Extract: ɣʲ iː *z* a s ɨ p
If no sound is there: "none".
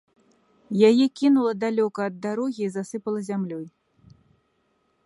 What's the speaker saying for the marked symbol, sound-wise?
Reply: z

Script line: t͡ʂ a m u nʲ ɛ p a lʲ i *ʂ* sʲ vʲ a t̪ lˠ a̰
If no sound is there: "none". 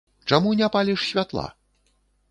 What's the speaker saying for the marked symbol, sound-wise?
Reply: ʂ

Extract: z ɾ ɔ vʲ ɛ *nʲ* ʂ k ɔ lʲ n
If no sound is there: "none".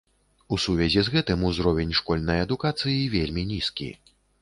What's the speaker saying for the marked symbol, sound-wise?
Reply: nʲ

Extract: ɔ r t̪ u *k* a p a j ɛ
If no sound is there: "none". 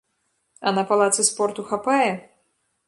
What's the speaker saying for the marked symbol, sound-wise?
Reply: x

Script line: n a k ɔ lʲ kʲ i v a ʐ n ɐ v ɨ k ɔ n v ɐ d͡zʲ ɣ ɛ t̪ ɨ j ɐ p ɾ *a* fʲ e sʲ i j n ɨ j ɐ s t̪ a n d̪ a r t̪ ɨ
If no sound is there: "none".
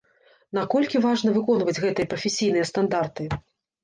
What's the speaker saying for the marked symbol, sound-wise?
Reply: ɐ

